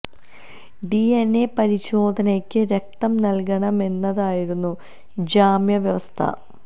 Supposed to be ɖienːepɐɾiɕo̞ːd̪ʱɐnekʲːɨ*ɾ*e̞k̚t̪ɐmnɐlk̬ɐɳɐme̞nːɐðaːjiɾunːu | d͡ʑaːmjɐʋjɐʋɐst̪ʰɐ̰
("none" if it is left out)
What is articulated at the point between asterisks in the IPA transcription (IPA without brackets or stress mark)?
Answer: ɾ